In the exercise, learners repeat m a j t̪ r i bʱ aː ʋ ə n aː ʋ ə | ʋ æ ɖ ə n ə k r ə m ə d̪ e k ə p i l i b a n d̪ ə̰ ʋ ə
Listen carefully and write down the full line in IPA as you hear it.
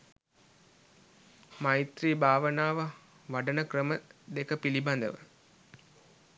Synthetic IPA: m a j t̪ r iː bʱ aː ʋ ə n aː ʋ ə | ʋ a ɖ ə n ə k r ə m ə d̪ e k ə p i l i b a n d̪ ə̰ ʋ ə